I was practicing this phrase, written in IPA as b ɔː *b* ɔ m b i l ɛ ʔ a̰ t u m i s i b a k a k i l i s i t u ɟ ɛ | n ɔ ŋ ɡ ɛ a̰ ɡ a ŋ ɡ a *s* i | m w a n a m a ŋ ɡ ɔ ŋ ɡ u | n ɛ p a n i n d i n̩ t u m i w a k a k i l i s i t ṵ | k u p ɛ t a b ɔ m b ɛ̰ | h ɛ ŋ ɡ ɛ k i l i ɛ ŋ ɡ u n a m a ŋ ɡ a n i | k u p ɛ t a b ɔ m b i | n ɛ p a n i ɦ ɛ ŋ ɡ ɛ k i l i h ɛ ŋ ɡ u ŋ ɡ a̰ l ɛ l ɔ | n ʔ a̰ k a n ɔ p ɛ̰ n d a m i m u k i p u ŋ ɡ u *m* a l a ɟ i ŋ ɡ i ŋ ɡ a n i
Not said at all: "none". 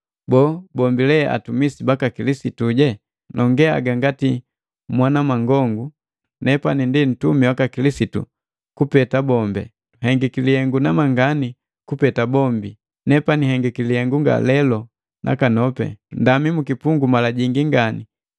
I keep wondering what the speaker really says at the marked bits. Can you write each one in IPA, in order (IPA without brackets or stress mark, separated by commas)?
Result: b, t, m